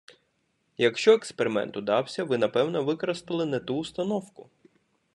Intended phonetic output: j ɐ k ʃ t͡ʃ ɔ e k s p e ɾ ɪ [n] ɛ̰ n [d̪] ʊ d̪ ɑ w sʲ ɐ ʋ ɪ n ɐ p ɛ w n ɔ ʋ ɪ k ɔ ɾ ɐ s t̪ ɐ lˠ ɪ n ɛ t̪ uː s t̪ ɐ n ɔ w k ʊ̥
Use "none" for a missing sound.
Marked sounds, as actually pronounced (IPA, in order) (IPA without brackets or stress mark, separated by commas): m, t̪